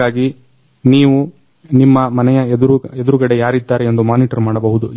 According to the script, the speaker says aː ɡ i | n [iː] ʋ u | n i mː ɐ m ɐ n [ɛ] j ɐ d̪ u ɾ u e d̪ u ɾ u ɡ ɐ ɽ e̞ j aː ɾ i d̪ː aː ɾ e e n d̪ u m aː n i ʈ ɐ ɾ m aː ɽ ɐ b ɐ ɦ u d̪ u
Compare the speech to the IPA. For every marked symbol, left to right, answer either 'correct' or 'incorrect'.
correct, correct

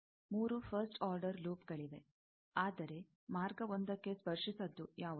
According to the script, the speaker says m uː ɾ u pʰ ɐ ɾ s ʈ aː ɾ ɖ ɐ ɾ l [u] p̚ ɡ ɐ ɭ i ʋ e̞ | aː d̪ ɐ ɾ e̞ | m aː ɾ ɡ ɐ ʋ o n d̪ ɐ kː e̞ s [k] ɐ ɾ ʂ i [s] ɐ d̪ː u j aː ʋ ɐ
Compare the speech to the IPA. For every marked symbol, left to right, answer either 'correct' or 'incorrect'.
incorrect, incorrect, correct

